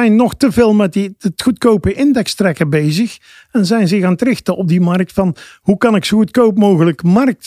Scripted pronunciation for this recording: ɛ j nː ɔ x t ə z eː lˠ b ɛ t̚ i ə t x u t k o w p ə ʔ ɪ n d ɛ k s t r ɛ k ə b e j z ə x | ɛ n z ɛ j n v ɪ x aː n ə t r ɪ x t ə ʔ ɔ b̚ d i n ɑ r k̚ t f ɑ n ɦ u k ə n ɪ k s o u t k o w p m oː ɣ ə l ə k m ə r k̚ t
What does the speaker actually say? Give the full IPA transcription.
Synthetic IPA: ɛ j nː ɔ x t ə v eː lˠ m ɛ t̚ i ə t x u t k o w p ə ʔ ɪ n d ɛ k s t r ɛ k ə b e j z ə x | ɛ n z ɛ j n z ɪ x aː n ə t r ɪ x t ə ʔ ɔ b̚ d i m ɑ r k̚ t f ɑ n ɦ u k ɑ n ɪ k s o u t k o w p m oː ɣ ə l ə k m ɑ r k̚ t